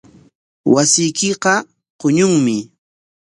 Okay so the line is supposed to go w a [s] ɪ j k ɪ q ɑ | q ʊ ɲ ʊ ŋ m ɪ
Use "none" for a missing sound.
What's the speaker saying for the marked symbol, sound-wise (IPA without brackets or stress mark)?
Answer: s